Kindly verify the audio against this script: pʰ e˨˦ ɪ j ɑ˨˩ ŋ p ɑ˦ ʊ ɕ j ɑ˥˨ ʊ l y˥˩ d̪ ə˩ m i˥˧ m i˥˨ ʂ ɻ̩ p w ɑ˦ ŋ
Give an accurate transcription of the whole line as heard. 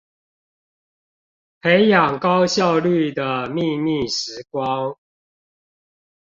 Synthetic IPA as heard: pʰ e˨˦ ɪ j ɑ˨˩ ŋ k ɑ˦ ʊ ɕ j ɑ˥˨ ʊ l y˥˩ d̪ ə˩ m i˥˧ m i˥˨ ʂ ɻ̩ k w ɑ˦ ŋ